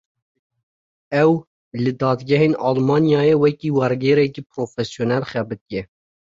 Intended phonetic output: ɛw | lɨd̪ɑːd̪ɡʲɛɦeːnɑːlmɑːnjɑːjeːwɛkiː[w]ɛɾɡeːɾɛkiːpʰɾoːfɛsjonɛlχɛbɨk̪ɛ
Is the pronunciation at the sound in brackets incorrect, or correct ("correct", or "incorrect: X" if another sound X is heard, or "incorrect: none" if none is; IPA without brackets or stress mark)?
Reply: correct